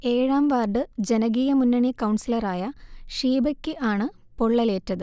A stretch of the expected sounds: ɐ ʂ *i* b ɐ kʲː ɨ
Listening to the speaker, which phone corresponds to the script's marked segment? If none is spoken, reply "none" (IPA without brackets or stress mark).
iː